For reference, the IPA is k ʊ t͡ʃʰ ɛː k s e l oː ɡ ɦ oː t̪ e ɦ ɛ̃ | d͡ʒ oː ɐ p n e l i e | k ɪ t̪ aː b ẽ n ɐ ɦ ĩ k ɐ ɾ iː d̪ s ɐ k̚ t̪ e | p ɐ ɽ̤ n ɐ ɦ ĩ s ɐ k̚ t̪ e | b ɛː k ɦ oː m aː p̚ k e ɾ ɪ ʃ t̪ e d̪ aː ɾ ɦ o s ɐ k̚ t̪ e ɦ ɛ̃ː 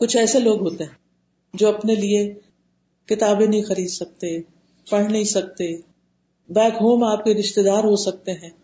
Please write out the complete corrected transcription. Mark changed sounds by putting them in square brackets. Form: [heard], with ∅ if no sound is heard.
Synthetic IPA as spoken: k ʊ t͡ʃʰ ɛː [∅] s e l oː ɡ ɦ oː t̪ e ɦ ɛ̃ | d͡ʒ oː ɐ p n e l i e | k ɪ t̪ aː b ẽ n ɐ ɦ ĩ [x] ɐ ɾ iː d̪ s ɐ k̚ t̪ e | p ɐ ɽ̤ n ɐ ɦ ĩ s ɐ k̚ t̪ e | b ɛː k ɦ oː m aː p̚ k e ɾ ɪ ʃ t̪ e d̪ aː ɾ ɦ o s ɐ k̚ t̪ e ɦ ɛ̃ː